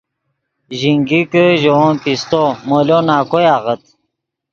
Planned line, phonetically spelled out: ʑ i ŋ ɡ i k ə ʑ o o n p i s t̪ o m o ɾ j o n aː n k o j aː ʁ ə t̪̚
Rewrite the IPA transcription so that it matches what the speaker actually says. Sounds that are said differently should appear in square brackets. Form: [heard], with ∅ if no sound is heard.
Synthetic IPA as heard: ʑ i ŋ ɡ i k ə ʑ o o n p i s t̪ o m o [l] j o n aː [∅] k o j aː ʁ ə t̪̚